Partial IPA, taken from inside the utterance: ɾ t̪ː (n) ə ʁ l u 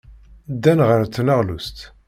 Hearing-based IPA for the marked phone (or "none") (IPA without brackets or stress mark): n